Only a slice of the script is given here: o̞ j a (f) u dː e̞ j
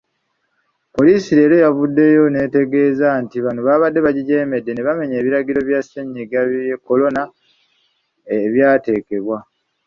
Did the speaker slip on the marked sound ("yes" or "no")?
yes